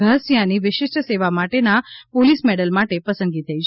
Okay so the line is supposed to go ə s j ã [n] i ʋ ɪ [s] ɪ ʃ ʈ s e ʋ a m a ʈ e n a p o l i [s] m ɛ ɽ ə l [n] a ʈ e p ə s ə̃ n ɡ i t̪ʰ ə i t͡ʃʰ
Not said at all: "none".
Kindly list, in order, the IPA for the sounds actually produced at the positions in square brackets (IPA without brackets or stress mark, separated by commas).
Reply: n, ʃ, s, m